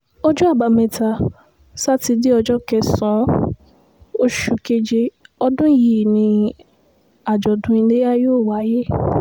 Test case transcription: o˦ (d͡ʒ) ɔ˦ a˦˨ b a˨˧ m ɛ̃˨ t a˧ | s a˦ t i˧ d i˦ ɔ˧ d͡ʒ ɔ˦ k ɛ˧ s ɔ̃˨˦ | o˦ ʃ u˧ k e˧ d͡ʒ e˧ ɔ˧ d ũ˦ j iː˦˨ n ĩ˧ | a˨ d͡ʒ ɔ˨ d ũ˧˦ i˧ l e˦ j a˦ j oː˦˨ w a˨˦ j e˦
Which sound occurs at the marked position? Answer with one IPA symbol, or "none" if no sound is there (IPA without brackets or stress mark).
d͡ʒ